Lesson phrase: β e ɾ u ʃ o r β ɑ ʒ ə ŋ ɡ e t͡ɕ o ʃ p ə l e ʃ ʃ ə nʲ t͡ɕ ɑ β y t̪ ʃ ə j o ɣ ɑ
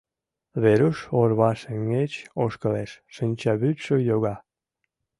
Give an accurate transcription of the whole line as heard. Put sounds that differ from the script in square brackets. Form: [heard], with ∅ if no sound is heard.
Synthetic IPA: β e ɾ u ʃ o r β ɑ [ʃ] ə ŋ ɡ e t͡ɕ o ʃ [k] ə l e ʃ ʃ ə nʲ t͡ɕ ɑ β y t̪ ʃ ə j o ɣ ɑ